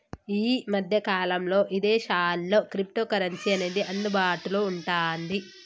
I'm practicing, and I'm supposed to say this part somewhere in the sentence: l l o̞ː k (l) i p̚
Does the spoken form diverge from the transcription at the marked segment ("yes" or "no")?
yes